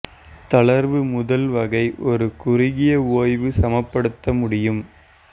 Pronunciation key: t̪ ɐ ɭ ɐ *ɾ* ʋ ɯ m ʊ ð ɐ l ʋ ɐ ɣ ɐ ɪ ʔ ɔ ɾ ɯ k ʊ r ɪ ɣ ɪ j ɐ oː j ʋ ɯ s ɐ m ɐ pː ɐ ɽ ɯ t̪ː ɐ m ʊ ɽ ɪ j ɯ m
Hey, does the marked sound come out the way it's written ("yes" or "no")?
yes